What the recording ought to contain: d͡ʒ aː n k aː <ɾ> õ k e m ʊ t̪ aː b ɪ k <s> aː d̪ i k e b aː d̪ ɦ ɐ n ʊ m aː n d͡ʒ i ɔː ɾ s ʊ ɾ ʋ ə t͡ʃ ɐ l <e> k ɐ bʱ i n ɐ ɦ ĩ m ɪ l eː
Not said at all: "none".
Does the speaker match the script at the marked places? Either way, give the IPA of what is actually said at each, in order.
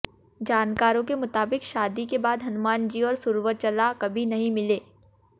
ɾ, ʃ, a

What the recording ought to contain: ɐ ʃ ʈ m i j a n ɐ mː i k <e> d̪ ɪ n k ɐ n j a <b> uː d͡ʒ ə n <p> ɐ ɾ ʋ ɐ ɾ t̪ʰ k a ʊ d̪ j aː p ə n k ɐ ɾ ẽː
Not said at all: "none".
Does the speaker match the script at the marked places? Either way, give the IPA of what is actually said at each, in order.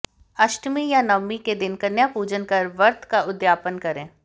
e, p, k

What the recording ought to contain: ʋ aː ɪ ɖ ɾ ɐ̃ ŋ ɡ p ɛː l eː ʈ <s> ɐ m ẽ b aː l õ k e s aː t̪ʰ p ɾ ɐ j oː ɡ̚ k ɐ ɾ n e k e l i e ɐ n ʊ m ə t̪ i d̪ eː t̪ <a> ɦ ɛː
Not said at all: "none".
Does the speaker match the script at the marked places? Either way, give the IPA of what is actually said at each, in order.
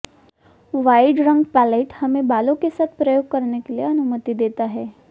h, a

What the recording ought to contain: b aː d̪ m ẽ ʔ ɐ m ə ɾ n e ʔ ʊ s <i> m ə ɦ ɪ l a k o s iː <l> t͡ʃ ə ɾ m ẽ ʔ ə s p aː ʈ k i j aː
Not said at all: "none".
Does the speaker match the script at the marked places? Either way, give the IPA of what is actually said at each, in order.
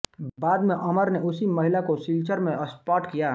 i, l

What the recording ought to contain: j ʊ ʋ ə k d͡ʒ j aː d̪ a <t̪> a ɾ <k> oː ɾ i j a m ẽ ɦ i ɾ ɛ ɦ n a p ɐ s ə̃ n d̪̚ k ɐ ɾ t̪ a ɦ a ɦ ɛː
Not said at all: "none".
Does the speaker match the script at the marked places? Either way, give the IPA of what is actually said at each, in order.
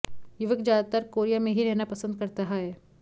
t̪, k

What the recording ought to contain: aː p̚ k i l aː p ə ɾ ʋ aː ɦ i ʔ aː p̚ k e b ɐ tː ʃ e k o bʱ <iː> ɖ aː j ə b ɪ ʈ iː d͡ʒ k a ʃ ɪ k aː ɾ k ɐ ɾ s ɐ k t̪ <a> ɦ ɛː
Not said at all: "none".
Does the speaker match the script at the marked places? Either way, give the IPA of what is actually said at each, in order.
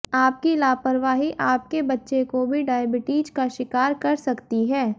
i, i

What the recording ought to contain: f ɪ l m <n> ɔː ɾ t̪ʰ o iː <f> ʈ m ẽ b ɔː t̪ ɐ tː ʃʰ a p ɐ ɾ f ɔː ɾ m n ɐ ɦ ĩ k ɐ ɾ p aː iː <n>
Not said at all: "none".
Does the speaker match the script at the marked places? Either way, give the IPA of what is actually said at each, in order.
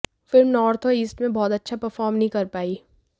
n, s, none

